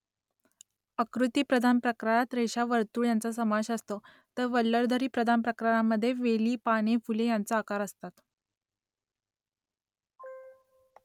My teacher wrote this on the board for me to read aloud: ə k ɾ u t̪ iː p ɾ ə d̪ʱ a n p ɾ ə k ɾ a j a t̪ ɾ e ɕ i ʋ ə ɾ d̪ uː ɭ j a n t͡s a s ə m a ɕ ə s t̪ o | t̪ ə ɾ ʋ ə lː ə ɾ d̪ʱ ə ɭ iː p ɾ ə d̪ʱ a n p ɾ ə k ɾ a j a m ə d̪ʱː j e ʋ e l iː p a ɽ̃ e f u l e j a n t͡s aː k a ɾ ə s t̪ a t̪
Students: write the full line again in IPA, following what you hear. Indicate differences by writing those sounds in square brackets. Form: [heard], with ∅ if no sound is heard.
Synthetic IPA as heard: ə k ɾ u t̪ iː p ɾ ə d̪ʱ a n p ɾ ə k ɾ a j a t̪ ɾ e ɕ [a] ʋ ə ɾ [t̪] uː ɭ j a n t͡s a s ə m a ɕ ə s t̪ o | t̪ ə ɾ ʋ ə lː ə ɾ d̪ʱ ə [ɾ] iː p ɾ ə d̪ʱ a n p ɾ ə k ɾ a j a m ə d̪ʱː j e ʋ e l iː p a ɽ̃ e f u l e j a n t͡s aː k a ɾ ə s t̪ a t̪